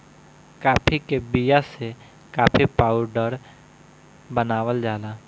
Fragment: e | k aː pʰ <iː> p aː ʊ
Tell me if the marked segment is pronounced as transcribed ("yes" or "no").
no